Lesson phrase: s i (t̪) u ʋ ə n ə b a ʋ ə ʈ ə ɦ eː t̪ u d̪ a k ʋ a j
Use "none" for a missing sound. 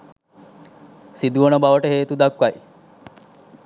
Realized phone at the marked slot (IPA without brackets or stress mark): d̪